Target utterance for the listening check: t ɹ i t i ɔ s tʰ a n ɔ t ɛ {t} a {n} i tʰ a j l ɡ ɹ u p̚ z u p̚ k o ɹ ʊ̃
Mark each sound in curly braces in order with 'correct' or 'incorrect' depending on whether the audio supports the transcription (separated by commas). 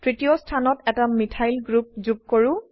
correct, incorrect